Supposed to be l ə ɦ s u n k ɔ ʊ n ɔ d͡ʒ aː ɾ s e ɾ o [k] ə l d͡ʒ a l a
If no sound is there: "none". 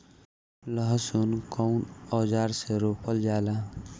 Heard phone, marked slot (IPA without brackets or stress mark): p